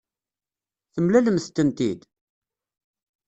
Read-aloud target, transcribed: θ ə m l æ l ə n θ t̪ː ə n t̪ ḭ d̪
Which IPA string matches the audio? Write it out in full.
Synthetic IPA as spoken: θ ə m l æ l ə m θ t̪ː ə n t̪ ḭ d̪